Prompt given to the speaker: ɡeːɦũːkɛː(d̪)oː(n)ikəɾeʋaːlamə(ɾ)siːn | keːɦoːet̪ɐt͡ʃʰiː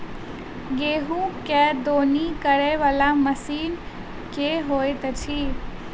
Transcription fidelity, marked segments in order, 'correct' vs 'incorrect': correct, correct, incorrect: none

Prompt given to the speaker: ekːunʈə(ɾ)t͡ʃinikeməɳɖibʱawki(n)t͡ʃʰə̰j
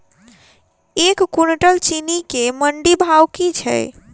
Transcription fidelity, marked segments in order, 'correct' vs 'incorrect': incorrect: l, incorrect: none

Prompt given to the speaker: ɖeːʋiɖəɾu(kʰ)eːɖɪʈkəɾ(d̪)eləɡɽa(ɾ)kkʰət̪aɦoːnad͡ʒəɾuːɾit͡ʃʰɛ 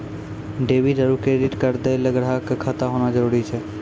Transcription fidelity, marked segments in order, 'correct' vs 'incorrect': incorrect: k, correct, incorrect: none

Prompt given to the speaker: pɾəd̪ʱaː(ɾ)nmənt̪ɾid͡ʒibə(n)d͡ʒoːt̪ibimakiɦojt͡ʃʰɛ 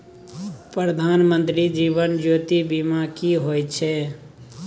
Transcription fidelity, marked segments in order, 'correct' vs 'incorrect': incorrect: none, correct

